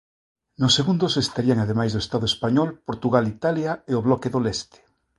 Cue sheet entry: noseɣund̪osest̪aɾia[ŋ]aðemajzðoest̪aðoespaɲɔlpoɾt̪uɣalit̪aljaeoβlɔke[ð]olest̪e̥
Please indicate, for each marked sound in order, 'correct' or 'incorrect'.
correct, correct

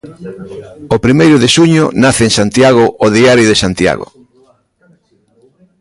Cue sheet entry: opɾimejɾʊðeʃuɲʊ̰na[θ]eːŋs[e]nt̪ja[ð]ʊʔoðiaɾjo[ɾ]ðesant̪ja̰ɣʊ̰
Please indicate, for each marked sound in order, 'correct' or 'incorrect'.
correct, incorrect: a, incorrect: ɣ, incorrect: none

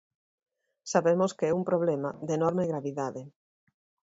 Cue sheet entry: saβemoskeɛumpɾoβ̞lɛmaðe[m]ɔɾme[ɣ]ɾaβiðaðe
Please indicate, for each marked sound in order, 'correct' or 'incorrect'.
incorrect: n, correct

